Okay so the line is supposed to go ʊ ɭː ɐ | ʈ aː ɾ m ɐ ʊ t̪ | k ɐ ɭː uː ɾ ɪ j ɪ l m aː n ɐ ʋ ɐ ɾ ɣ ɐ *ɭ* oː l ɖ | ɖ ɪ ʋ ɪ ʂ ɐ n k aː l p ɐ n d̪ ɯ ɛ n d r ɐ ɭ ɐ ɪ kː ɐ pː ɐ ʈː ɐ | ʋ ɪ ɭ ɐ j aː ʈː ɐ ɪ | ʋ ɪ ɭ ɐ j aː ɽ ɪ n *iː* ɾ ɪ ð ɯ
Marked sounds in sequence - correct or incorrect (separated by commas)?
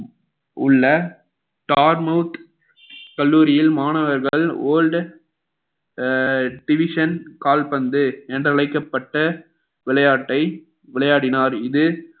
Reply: correct, incorrect